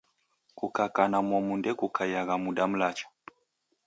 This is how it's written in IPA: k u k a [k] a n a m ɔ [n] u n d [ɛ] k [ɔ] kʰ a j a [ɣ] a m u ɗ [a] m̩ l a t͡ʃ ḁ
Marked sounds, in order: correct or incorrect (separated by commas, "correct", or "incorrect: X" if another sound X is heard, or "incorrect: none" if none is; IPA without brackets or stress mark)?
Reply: correct, incorrect: m, correct, incorrect: u, correct, correct